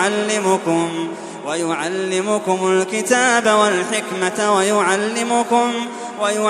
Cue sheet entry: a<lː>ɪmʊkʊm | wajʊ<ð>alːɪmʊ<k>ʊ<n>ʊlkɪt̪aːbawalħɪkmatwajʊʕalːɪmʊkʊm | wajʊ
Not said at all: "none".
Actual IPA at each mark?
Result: lː, ʕ, k, m

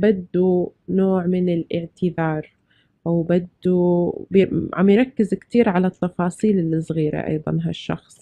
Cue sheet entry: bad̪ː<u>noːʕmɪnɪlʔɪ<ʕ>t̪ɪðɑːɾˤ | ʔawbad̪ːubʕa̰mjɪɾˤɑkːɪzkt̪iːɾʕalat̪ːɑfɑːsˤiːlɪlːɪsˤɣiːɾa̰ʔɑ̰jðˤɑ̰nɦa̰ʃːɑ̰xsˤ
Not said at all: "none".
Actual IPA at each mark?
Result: u, ʕ

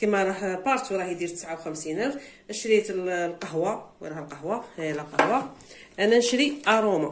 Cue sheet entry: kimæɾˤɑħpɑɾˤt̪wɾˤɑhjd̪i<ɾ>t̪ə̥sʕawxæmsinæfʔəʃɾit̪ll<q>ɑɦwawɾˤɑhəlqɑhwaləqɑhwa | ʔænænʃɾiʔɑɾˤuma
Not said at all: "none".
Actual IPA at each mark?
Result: ɾ, q

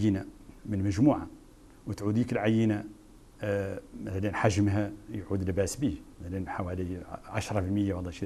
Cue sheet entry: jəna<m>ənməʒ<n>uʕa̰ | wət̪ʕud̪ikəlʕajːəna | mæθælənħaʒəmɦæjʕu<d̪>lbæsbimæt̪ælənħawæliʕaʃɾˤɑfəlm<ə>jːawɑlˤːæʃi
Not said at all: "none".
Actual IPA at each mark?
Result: m, m, d̪, ə

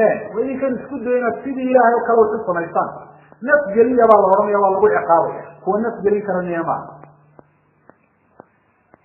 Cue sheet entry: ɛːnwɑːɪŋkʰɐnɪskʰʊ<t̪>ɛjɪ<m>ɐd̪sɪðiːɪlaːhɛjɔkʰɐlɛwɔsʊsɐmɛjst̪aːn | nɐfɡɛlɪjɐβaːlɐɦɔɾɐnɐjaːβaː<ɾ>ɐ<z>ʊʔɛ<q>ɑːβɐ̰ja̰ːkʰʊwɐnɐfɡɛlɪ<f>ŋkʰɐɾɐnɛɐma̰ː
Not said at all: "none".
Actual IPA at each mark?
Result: d̪, n, l, ɣ, q, none

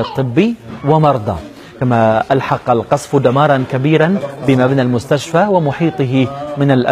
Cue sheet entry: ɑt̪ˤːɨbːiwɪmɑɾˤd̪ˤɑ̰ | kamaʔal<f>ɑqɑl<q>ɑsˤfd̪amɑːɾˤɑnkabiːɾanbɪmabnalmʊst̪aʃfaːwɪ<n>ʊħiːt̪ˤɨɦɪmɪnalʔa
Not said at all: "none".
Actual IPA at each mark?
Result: ħ, q, m

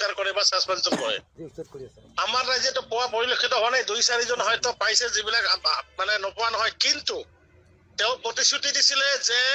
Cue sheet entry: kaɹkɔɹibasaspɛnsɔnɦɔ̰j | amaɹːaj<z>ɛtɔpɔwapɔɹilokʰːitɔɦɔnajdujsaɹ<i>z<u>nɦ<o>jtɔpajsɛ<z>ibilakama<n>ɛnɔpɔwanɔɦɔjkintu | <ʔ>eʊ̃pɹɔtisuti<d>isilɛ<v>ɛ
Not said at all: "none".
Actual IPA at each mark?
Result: z, i, ɔ, ɔ, z, n, t, d, z

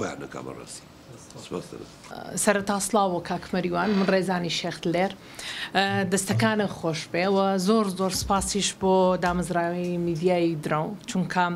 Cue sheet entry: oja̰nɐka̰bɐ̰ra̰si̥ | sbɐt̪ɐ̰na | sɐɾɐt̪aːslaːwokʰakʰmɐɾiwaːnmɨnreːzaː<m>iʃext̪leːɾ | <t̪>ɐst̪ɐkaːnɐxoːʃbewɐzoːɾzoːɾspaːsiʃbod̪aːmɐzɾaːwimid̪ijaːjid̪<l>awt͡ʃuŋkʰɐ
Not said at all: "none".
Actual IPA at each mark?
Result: n, d̪, ɾ

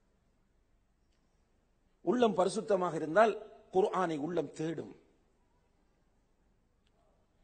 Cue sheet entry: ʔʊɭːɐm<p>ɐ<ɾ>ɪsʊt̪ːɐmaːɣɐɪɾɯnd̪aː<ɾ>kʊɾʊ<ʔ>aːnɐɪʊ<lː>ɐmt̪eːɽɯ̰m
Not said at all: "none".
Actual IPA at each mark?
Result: p, ɾ, l, ʔ, ɭː

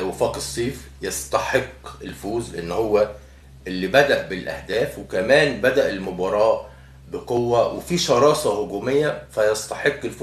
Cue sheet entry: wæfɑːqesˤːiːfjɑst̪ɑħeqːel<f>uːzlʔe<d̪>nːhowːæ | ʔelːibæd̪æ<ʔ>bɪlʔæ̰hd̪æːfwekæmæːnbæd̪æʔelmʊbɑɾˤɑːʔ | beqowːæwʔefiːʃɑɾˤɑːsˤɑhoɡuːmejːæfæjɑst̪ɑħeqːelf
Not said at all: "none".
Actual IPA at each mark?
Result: f, none, ʔ

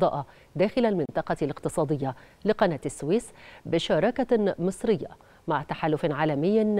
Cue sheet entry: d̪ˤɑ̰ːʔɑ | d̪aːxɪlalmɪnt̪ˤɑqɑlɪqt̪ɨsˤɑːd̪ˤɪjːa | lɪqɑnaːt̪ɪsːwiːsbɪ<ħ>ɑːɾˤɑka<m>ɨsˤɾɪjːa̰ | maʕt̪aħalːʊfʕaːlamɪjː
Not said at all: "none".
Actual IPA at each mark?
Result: ʃ, m

